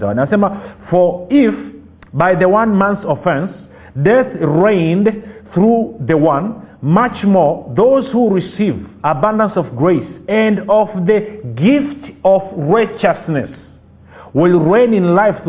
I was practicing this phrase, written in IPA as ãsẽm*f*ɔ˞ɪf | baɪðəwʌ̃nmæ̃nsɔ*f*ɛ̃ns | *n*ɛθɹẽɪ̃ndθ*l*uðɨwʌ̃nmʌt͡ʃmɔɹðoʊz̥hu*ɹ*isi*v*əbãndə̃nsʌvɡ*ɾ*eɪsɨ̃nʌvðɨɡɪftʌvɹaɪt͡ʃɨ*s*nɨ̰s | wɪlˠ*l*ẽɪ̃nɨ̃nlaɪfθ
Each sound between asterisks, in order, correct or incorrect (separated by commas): correct, correct, incorrect, incorrect, correct, correct, incorrect, correct, incorrect